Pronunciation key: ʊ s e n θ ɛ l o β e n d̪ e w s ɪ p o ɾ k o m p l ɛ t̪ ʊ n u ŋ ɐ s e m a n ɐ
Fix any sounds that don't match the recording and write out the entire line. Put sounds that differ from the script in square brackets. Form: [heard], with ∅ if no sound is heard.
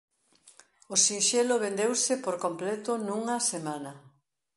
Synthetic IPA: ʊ s [i] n [ʃ] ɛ l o β e n d̪ e w s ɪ p o ɾ k o m p l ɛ t̪ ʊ n u ŋ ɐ s e m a n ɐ